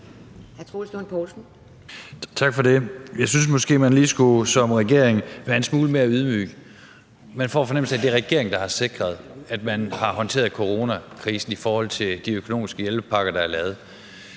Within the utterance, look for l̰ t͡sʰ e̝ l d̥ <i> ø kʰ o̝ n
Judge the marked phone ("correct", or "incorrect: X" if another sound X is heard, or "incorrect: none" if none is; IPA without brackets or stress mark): correct